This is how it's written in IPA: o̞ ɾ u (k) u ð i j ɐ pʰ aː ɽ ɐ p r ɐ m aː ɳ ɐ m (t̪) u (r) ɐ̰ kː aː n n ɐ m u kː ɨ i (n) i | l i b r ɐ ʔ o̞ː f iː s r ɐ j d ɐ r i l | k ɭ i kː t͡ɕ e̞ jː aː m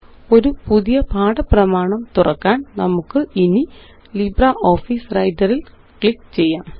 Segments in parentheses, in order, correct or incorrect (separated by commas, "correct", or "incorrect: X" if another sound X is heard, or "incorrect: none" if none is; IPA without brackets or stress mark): incorrect: p, correct, correct, correct